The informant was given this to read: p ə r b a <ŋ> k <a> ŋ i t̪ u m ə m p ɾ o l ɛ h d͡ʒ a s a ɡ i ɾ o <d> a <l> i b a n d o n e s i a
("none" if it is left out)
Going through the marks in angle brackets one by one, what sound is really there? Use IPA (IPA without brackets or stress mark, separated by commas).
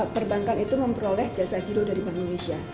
ŋ, a, d, ɾ